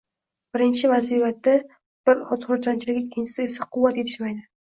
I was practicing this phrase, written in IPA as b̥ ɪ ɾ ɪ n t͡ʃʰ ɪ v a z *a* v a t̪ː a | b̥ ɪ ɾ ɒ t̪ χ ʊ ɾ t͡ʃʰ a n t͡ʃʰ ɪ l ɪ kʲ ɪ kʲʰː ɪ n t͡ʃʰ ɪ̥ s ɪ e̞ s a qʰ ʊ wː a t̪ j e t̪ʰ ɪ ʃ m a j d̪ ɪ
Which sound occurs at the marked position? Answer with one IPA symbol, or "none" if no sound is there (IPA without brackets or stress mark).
i